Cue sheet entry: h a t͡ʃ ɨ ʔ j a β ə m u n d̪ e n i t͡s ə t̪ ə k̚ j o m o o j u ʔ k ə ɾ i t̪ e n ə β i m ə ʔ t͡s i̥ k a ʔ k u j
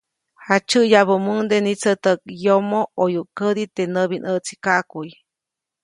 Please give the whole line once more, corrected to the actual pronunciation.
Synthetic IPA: h a t͡ʃ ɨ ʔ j a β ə m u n d̪ e n i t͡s ə t̪ ə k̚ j o m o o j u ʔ k ə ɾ i t̪ e n ə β i n ə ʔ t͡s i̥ k a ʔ k u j